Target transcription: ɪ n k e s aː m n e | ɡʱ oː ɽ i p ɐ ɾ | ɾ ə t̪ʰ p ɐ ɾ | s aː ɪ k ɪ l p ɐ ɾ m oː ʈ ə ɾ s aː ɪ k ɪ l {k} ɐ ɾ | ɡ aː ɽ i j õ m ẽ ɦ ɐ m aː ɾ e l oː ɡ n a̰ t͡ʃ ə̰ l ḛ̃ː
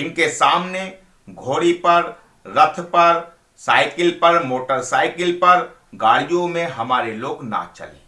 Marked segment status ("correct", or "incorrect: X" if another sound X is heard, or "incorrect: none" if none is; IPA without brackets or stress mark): incorrect: p